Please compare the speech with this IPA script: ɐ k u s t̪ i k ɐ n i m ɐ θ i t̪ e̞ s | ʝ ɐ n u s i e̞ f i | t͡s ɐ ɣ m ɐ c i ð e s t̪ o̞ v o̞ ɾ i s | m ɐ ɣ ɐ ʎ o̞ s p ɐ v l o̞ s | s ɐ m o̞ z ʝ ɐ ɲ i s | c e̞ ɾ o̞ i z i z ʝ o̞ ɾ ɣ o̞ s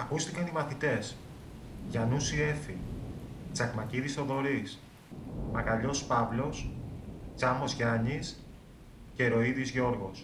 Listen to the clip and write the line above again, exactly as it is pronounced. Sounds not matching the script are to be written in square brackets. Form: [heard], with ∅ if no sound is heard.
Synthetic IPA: ɐ k u s t̪ i k ɐ n i m ɐ θ i t̪ e̞ s | ʝ ɐ n u s i e̞ f i | t͡s ɐ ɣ m ɐ c i ð [i] s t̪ o̞ [ð] o̞ ɾ i s | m ɐ ɣ ɐ ʎ o̞ s p ɐ v l o̞ s | [t͡s] ɐ m o̞ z ʝ ɐ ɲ i s | c e̞ ɾ o̞ i [ð] i z ʝ o̞ ɾ ɣ o̞ s